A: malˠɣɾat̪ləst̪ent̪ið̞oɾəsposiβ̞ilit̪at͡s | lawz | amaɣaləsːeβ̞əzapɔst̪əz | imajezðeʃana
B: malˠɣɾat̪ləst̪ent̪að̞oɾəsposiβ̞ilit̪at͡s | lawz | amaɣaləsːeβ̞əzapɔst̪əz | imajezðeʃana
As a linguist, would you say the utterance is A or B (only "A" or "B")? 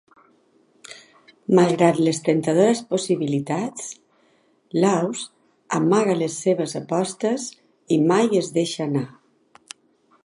B